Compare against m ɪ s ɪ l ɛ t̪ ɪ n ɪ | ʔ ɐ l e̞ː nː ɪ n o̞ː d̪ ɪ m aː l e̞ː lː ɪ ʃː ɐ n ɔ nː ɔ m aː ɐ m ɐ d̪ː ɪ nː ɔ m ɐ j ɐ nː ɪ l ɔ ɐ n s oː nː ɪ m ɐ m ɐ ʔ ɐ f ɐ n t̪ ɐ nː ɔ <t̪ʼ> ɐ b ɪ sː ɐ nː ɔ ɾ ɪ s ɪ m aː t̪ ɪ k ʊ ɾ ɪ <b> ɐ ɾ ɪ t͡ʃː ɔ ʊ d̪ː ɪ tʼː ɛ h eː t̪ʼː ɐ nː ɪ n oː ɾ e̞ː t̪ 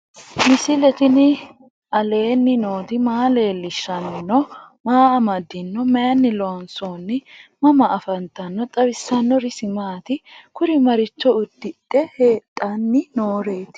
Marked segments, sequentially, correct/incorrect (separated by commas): correct, incorrect